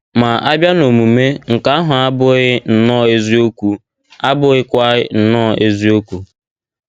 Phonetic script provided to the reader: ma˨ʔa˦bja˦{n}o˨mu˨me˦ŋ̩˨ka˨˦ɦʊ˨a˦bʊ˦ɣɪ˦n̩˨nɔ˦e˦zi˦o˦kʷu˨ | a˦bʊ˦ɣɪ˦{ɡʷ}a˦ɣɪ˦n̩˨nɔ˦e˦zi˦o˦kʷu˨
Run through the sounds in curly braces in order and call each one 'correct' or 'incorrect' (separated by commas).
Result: correct, incorrect